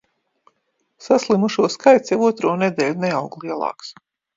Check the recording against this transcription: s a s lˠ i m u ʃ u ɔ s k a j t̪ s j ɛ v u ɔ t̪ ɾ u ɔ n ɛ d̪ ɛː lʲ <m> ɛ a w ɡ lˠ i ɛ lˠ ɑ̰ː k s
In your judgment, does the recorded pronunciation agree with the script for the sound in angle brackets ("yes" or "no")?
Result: no